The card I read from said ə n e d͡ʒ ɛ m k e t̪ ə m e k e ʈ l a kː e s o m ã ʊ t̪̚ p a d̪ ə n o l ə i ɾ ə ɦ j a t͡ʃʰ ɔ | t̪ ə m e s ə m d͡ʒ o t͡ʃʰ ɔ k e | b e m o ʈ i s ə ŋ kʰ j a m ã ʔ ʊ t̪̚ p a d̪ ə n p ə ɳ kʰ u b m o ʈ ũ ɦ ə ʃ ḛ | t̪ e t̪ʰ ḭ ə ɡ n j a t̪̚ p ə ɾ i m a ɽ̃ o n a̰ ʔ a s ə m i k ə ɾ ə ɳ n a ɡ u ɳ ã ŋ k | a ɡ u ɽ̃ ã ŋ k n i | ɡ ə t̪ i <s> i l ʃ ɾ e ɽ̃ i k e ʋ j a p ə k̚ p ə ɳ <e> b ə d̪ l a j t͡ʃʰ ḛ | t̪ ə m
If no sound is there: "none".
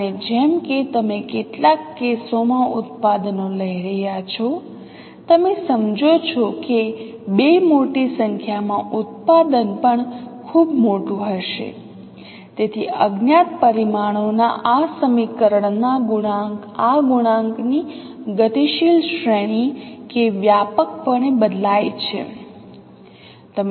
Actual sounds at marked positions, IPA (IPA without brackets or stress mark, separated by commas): ʃ, e